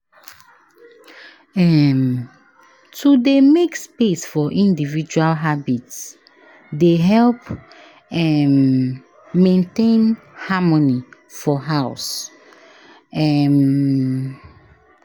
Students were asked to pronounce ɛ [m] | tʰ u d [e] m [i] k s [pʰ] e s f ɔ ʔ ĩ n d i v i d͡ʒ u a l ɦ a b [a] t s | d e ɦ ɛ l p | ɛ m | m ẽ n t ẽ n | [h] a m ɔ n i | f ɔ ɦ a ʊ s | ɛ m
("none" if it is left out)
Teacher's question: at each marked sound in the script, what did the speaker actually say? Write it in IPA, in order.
m, e, e, p, i, h

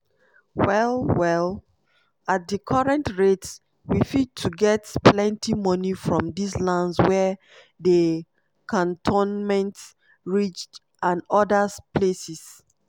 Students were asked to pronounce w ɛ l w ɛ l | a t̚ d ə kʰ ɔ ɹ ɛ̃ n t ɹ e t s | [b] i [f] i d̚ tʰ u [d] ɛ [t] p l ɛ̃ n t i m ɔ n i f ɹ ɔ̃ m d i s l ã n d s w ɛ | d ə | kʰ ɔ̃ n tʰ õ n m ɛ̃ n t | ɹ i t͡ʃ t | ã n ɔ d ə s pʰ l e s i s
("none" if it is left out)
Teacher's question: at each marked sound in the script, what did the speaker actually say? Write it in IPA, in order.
w, f, ɡ, t

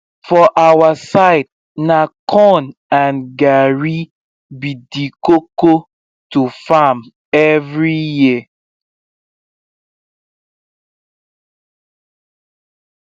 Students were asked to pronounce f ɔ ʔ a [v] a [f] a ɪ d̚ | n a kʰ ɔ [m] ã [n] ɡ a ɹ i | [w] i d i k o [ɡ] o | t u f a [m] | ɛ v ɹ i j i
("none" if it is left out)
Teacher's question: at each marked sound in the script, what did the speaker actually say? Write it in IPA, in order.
w, s, n, n, b, k, m

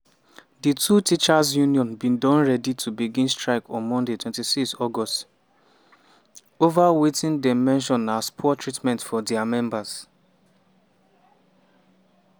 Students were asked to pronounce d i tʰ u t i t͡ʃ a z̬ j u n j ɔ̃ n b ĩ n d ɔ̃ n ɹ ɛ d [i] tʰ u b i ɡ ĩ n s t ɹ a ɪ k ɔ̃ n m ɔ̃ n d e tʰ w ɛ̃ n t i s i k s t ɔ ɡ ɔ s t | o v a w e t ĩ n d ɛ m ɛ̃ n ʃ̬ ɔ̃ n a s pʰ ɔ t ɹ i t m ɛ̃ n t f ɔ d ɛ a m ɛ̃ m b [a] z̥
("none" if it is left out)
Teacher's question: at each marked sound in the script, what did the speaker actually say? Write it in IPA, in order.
i, a

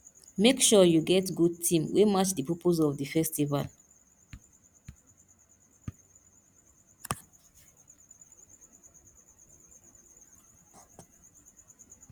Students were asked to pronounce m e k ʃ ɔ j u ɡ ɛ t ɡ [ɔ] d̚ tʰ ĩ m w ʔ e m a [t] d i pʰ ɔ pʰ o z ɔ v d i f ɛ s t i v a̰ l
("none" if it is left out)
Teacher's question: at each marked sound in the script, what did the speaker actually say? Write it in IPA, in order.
u, t͡ʃ

